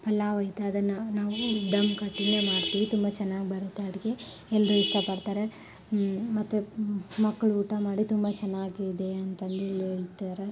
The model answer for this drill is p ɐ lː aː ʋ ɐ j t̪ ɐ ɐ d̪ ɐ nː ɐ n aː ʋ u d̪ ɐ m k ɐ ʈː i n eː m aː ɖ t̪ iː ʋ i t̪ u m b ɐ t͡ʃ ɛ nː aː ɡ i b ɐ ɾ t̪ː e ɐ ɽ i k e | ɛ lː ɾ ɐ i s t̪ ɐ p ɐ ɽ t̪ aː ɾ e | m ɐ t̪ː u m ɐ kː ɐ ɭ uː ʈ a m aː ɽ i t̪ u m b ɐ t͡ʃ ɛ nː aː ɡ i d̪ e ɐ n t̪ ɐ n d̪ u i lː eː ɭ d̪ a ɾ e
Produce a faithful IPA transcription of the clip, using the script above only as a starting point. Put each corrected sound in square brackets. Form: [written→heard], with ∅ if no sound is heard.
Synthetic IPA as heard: p ɐ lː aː ʋ ɐ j t̪ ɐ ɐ d̪ ɐ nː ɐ n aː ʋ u d̪ ɐ m k ɐ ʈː i n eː m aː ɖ t̪ iː ʋ i t̪ u m b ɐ t͡ʃ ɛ nː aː ɡ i b ɐ ɾ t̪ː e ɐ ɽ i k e | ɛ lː ɾ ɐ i s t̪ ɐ p ɐ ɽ t̪ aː ɾ e | m ɐ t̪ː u m ɐ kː ɐ ɭ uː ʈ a m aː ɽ i t̪ u m b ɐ t͡ʃ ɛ nː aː ɡ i d̪ e ɐ n t̪ ɐ n d̪ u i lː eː ɭ [d̪→t̪] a ɾ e